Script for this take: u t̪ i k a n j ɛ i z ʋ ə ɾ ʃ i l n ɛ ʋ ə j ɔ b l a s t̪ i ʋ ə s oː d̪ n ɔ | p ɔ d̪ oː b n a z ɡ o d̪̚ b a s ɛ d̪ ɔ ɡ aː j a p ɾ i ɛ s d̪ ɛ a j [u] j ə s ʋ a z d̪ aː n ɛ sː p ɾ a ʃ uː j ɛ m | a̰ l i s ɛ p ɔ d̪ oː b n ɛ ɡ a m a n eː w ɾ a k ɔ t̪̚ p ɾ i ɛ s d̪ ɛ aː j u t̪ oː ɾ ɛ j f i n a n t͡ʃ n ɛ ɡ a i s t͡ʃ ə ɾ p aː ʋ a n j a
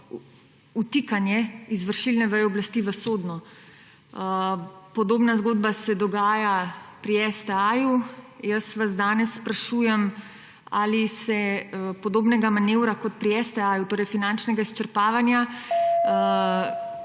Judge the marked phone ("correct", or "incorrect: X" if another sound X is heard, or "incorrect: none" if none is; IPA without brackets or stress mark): correct